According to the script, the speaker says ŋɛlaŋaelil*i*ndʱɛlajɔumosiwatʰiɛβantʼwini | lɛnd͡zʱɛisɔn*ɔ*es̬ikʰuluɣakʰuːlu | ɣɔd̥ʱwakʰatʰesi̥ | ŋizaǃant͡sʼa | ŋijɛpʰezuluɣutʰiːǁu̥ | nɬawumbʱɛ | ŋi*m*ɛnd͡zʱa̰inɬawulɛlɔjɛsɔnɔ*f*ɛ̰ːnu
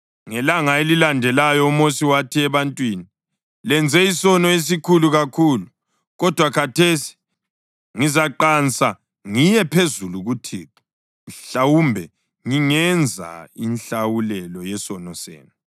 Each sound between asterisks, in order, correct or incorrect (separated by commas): incorrect, correct, incorrect, incorrect